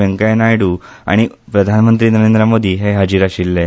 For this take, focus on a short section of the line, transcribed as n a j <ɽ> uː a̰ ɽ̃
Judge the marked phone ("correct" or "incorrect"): correct